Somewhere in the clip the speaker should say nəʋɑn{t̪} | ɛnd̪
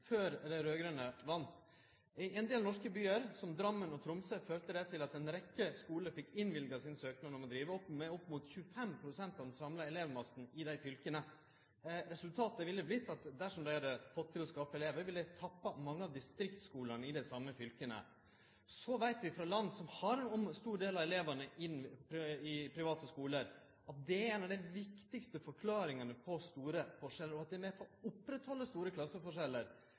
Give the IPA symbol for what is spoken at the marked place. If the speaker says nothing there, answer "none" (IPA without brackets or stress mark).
t̪